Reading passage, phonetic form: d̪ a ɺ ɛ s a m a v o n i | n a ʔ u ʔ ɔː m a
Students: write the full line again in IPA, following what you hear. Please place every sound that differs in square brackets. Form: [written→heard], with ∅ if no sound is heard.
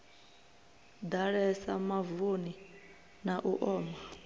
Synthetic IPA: d̪ a ɺ ɛ s a m a v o n i | n a ʔ u ʔ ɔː m a